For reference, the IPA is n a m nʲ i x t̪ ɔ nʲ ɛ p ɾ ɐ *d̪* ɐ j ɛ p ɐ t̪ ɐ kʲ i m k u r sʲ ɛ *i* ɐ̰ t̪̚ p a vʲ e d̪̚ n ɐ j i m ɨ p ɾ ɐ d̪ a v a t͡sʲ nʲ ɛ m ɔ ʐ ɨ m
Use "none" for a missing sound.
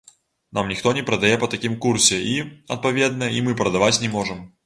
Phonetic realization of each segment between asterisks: d̪, i

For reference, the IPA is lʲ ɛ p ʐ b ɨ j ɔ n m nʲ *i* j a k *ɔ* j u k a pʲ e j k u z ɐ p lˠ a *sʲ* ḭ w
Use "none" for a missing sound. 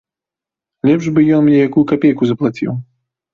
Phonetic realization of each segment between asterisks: ɛ, u, t͡sʲ

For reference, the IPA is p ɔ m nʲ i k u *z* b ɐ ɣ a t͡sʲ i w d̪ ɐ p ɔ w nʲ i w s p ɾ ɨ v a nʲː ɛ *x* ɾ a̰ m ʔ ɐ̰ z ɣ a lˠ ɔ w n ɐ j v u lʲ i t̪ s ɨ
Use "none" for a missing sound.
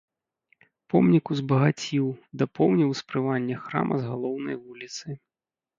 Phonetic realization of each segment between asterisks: z, x

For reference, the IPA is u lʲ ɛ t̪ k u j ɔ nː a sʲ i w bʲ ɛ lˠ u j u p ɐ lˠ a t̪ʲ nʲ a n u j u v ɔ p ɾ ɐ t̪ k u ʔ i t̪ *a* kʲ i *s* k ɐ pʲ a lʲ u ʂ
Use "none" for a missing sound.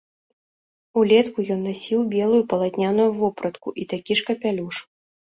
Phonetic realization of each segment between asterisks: a, ʂ

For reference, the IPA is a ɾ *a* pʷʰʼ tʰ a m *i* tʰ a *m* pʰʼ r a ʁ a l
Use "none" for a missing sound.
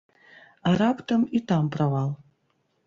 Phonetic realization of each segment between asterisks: a, i, m

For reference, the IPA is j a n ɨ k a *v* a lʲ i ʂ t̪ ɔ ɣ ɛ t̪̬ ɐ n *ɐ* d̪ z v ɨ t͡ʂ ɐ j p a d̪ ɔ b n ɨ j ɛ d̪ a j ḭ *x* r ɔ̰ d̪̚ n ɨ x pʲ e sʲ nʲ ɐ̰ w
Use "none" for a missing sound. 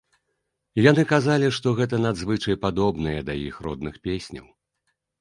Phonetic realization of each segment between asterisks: z, a, x

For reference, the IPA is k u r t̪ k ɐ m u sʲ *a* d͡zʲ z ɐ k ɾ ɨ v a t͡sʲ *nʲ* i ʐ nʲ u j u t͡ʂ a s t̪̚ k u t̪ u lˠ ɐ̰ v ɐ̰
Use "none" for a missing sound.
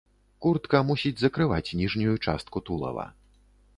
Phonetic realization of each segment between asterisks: i, nʲ

